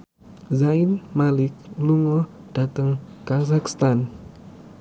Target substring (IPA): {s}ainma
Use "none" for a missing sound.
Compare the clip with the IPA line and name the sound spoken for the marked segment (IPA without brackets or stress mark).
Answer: z